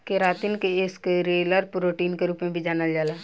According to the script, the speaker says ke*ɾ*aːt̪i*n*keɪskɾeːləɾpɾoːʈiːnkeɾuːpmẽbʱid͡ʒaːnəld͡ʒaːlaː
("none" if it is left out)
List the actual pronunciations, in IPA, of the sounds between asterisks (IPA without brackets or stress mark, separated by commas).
ɾ, n